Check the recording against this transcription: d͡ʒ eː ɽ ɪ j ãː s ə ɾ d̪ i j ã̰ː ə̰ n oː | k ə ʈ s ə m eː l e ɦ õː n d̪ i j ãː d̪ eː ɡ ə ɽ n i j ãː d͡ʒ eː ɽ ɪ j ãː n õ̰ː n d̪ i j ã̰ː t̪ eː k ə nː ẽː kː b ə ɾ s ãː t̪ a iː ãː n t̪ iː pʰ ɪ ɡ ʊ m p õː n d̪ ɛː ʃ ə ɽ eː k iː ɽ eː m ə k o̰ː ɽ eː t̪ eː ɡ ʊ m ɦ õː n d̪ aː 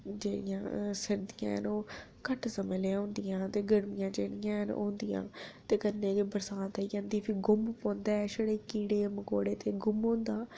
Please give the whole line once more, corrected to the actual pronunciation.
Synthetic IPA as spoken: d͡ʒ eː ɽ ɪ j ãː s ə ɾ d̪ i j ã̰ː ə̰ n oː | k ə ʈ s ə m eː l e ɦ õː n d̪ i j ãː t̪ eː ɡ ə ɽ m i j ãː d͡ʒ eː ɽ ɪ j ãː n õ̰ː n d̪ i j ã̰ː t̪ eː k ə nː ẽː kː b ə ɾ s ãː t̪ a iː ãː n d̪ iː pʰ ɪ ɡ ʊ m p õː n d̪ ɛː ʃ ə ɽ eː k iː ɽ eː m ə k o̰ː ɽ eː t̪ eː ɡ ʊ m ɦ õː n d̪ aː

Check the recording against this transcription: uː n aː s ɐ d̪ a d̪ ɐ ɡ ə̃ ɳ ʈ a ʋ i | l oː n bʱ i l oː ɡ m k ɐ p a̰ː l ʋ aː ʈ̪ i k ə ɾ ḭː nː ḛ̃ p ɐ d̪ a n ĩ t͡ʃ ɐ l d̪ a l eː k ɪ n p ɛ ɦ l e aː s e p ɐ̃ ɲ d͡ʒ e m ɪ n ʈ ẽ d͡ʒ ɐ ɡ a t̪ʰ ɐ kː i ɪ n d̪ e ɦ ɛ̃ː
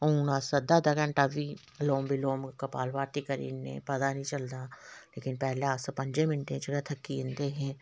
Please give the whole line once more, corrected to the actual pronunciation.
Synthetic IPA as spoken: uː n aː s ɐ d̪ a d̪ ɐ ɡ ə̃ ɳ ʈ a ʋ i | l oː m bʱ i l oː m k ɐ p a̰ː l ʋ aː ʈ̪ i k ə ɾ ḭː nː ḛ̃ p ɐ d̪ a n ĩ t͡ʃ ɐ l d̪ a l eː k ɪ n p ɛ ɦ l e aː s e p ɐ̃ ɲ d͡ʒ e m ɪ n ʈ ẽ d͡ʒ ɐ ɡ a t̪ʰ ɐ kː i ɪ n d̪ e ɦ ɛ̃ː

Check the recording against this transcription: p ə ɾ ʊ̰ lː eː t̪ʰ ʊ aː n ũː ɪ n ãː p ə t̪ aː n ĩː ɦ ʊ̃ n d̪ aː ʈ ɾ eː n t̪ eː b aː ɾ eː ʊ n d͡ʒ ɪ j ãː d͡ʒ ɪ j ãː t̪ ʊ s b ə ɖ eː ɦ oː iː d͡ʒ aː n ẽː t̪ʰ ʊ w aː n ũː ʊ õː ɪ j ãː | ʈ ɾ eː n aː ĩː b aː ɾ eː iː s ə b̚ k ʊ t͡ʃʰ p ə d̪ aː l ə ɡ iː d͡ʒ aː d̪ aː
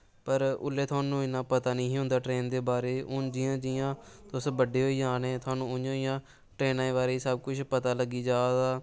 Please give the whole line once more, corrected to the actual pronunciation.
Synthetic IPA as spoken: p ə ɾ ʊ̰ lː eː t̪ʰ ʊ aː n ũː ɪ n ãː p ə t̪ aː n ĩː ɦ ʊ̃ n d̪ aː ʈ ɾ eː n d̪ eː b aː ɾ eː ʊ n d͡ʒ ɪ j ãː d͡ʒ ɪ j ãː t̪ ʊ s b ə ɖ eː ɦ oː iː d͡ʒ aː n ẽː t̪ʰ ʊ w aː n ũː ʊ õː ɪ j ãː | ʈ ɾ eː n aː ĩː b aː ɾ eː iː s ə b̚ k ʊ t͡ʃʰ p ə t̪ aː l ə ɡ iː d͡ʒ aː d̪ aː

